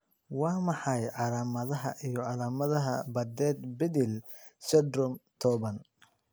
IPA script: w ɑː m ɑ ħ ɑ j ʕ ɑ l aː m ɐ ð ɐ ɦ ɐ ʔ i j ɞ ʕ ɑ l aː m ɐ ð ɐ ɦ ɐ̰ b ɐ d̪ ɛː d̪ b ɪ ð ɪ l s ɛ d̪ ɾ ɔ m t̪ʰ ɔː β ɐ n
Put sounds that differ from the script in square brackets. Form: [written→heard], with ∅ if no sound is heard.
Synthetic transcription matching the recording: w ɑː m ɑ ħ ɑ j ʕ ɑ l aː m ɐ ð ɐ ɦ ɐ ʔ i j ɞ ʕ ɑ l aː m ɐ ð ɐ ɦ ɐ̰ b ɐ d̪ ɛː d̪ b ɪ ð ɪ l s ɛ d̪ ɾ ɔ m t̪ʰ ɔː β ɐ n